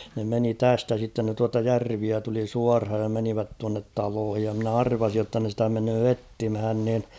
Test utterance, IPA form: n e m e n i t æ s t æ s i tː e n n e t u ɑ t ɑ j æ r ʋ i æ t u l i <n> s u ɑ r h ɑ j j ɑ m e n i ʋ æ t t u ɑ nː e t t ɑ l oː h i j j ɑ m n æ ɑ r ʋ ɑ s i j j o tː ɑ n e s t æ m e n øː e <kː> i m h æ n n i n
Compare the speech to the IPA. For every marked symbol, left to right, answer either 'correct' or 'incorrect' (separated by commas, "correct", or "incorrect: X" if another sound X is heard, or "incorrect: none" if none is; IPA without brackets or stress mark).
incorrect: none, incorrect: tː